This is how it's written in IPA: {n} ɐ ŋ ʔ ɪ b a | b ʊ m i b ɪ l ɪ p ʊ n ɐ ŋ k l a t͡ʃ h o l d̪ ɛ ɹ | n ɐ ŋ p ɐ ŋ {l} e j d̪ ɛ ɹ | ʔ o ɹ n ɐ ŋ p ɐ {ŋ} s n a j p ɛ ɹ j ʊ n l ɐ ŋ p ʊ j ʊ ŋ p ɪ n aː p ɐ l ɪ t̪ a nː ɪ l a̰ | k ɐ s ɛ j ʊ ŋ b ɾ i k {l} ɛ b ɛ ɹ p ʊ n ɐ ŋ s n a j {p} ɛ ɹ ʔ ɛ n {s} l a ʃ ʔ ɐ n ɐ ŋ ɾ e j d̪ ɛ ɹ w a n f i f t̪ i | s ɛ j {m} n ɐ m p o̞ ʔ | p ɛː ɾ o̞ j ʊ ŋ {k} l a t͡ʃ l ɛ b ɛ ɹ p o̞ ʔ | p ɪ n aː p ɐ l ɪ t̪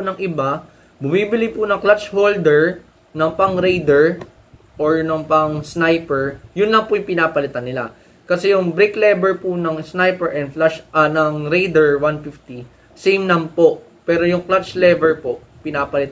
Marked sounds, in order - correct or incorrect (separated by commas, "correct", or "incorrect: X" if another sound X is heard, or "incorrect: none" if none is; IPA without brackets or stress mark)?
correct, incorrect: ɾ, correct, correct, correct, incorrect: f, correct, correct